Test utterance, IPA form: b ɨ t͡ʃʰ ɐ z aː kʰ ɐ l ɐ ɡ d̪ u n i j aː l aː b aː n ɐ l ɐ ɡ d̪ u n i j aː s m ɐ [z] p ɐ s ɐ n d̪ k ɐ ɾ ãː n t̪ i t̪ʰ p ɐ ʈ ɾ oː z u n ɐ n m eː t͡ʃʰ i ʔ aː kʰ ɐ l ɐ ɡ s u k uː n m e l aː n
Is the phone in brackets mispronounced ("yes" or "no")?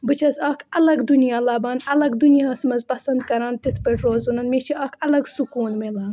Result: no